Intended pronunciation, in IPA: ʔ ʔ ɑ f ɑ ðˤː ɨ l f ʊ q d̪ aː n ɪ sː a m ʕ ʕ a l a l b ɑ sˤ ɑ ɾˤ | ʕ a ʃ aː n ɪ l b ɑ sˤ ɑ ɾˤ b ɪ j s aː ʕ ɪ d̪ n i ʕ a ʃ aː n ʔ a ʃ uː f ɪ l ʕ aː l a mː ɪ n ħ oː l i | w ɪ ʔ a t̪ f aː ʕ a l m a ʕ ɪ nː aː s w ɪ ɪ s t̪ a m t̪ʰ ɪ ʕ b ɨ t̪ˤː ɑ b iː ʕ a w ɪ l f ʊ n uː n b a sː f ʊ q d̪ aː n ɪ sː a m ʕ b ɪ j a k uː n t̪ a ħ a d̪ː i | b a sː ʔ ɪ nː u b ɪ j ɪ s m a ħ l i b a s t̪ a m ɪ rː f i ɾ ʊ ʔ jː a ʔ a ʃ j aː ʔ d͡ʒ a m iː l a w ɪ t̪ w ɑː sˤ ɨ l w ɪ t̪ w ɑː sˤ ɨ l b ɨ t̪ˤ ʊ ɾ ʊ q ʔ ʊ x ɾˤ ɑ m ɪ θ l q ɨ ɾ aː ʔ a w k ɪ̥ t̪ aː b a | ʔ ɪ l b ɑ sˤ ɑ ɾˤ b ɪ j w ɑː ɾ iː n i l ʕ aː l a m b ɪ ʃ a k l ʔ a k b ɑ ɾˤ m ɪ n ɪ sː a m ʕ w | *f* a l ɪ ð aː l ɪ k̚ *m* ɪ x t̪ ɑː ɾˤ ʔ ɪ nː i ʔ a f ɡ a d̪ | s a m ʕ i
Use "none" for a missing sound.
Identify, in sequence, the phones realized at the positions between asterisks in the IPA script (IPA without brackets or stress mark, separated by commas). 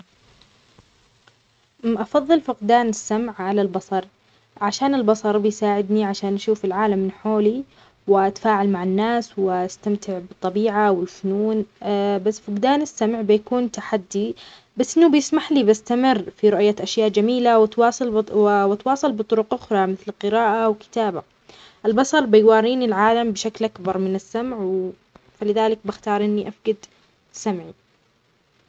f, b